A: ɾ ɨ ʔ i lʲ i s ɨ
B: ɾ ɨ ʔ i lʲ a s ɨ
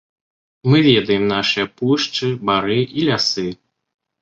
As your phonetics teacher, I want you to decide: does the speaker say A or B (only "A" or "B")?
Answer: B